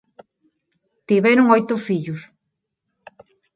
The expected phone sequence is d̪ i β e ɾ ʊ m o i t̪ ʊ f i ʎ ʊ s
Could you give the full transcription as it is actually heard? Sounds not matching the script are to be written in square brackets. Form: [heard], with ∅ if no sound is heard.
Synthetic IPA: [t̪] i β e ɾ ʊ [ŋ] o [j] t̪ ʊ f i ʎ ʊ s